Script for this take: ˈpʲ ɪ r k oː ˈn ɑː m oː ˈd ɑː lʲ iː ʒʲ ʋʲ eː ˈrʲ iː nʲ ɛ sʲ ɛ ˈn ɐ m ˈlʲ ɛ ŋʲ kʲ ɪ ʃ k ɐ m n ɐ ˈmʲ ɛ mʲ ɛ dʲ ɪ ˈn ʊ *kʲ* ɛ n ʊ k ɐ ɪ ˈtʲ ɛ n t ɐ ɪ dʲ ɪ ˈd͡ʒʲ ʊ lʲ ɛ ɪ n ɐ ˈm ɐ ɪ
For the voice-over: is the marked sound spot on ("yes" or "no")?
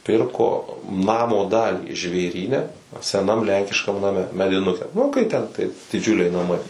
yes